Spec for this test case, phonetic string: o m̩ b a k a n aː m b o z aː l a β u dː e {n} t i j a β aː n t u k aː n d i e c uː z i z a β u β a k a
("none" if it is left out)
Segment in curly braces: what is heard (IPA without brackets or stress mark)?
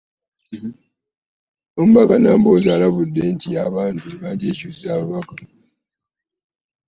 n